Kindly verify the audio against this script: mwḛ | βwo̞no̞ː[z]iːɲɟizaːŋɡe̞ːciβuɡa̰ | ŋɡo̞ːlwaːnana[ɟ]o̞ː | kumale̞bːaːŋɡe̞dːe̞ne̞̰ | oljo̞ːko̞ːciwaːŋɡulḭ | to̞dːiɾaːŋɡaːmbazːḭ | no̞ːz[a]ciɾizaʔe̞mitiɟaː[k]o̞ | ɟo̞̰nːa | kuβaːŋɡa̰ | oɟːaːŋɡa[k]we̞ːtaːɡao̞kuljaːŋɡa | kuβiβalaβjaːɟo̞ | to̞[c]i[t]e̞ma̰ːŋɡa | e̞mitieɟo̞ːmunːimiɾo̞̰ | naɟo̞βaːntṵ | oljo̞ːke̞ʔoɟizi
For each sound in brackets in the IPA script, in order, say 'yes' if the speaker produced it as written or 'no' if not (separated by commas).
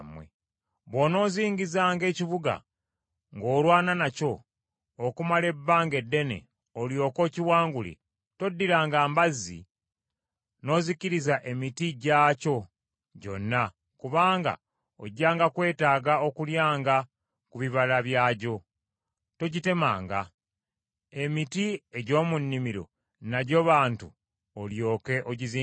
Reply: yes, no, no, no, yes, no, yes